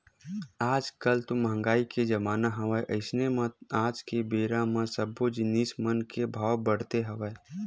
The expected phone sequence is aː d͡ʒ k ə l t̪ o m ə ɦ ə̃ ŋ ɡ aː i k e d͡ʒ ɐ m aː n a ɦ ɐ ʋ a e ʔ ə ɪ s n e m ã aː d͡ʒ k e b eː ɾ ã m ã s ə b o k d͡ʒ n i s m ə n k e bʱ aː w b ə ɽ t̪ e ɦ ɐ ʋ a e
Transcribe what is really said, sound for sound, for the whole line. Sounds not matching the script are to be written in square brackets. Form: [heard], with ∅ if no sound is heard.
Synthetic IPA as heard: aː d͡ʒ k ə l t̪ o m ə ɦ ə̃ ŋ ɡ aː i k e d͡ʒ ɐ m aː n a ɦ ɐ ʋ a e ʔ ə ɪ s n e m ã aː d͡ʒ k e b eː ɾ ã m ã s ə b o [∅] d͡ʒ n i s m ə n k e bʱ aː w b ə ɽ t̪ e ɦ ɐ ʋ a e